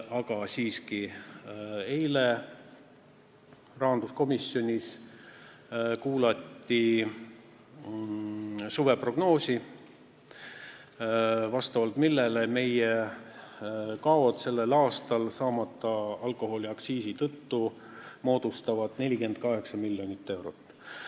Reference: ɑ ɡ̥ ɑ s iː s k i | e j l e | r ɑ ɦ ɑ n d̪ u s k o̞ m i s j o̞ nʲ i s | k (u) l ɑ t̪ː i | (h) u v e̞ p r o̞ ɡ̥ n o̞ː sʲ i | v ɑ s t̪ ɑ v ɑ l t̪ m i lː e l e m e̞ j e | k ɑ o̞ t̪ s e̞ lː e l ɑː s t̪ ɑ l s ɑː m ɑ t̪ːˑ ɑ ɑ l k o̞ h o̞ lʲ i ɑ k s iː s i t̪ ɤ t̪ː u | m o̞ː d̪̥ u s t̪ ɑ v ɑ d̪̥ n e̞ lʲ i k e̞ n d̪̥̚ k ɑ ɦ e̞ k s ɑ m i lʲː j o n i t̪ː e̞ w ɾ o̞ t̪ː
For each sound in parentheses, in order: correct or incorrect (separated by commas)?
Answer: incorrect, incorrect